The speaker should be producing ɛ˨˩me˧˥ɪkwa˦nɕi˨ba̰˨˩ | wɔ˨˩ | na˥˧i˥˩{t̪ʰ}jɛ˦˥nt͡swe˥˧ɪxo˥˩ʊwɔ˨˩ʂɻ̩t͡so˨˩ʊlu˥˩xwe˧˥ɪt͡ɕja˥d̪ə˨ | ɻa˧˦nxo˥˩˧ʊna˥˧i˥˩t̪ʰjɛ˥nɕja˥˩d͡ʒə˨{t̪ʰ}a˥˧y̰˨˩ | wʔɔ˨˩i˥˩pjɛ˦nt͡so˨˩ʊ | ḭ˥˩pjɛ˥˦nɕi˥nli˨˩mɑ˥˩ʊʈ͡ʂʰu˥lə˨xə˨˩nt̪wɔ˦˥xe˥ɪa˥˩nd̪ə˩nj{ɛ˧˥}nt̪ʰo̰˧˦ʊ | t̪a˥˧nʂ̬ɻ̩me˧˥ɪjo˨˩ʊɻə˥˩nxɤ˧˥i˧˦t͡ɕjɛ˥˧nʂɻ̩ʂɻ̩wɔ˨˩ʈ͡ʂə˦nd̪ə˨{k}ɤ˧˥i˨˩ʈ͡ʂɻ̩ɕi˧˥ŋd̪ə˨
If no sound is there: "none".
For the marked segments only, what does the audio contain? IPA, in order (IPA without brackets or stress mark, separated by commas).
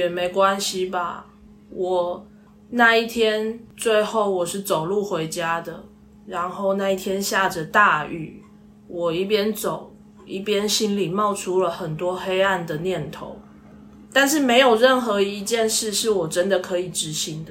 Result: t̪ʰ, t̪, ɛ˥˩, kʰ